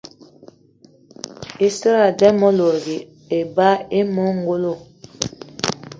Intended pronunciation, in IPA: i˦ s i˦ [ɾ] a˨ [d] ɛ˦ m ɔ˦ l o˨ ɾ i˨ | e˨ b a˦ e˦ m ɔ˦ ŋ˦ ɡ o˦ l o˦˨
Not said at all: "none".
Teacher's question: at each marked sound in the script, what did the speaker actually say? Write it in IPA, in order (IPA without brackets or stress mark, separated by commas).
ɾ, d